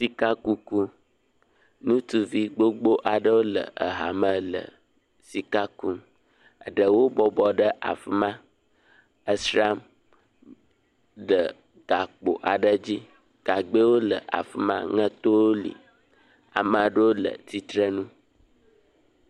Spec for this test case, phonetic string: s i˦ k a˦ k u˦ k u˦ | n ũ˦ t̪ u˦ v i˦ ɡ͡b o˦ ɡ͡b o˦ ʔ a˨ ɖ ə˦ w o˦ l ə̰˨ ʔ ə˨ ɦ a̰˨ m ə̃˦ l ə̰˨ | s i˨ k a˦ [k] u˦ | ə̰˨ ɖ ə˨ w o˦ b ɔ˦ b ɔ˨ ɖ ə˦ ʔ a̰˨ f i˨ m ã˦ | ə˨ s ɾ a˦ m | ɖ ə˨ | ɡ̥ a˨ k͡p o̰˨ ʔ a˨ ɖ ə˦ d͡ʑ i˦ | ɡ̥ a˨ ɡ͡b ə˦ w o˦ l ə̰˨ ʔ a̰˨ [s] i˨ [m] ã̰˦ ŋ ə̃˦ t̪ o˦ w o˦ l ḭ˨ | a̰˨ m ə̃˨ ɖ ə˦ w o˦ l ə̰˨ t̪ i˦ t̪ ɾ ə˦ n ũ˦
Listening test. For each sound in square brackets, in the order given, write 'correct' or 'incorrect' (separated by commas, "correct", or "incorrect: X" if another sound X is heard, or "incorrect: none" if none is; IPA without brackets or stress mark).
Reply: correct, incorrect: f, correct